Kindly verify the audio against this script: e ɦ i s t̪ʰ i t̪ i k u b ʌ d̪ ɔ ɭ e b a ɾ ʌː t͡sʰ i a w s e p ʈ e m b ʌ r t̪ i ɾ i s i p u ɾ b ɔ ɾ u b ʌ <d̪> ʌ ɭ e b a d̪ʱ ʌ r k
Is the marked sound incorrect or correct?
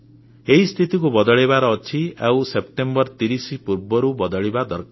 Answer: correct